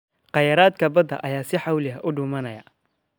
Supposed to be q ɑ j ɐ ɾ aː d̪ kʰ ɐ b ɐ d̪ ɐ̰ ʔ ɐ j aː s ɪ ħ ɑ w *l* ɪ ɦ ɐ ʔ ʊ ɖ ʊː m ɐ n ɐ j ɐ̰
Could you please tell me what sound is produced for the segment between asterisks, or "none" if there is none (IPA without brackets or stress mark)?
l